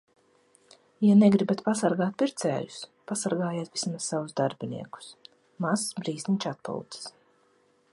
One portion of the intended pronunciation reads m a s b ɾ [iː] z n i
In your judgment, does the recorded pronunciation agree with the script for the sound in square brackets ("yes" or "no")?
yes